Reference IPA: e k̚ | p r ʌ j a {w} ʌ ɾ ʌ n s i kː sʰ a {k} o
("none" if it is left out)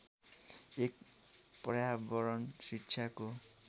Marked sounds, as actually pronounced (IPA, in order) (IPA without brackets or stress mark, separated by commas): b, k